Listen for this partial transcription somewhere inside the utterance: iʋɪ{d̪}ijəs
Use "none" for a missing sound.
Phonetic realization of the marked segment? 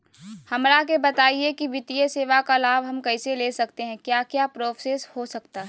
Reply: t̪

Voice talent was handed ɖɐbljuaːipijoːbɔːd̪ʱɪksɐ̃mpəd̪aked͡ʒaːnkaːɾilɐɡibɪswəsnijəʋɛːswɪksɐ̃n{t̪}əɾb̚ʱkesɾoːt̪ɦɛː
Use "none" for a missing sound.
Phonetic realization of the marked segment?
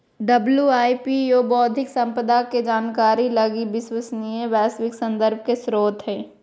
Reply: d̪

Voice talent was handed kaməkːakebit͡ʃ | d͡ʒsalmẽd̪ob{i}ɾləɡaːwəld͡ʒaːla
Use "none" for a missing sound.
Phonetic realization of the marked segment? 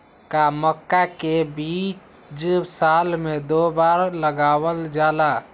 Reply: a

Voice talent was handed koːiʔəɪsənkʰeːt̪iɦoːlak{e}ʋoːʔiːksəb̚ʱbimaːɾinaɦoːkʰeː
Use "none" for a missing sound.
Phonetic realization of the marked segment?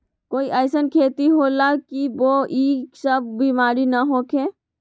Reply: i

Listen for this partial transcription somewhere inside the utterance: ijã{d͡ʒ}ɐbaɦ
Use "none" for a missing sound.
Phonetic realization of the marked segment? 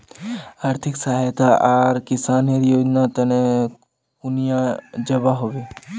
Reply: d͡ʒ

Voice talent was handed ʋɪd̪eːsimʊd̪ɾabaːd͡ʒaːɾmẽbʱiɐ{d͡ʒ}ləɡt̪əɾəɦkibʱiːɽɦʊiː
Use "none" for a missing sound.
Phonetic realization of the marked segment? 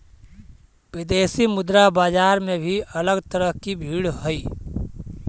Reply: none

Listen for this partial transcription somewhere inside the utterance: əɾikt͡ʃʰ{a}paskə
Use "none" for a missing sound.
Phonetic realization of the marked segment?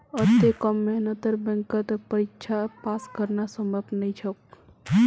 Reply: a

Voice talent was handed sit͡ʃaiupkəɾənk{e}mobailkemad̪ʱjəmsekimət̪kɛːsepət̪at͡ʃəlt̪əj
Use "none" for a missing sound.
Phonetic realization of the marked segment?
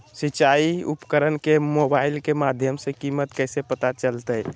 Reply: e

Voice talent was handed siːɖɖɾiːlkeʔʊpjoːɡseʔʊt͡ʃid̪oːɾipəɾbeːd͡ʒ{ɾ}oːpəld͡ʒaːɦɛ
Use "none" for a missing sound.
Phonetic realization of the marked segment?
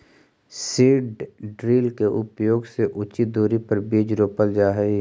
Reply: ɾ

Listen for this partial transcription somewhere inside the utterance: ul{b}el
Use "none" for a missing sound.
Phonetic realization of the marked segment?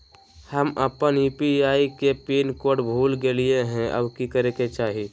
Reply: ɡ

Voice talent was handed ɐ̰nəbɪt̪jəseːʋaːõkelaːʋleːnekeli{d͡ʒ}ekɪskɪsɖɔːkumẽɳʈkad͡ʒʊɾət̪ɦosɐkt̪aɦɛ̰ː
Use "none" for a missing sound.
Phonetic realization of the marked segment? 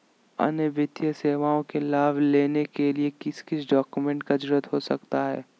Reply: none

